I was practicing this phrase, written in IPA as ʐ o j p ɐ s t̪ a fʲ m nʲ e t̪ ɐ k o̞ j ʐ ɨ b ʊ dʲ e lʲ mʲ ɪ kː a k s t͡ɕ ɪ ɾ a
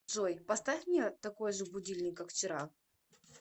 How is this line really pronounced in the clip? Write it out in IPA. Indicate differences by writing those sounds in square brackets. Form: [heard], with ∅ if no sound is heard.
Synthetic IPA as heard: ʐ o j p ɐ s t̪ a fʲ m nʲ e t̪ ɐ k o̞ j ʐ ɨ b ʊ dʲ [i] lʲ [nʲ] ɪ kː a k [f] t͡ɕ ɪ ɾ a